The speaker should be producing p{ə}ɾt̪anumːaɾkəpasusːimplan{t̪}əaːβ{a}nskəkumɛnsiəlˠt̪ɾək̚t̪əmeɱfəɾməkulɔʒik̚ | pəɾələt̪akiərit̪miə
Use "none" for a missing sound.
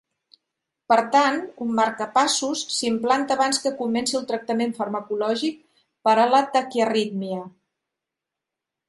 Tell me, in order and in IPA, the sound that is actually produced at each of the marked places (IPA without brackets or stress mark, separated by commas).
ə, t̪, a